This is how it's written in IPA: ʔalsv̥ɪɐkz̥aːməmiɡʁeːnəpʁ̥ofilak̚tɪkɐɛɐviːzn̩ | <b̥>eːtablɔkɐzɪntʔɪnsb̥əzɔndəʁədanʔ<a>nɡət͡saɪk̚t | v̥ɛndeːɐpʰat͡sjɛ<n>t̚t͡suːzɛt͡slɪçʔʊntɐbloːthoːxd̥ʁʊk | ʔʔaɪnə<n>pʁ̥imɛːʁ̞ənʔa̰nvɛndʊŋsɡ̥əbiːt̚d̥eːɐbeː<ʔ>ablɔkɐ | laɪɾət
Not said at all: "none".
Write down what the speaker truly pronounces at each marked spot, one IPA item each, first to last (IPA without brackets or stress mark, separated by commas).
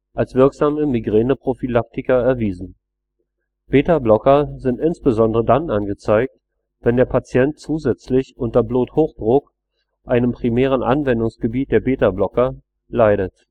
b̥, a, n, m, t